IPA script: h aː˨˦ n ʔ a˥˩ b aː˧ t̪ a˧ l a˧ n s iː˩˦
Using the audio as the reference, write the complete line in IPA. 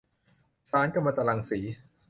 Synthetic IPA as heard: s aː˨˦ n k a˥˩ m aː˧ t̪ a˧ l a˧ ŋ s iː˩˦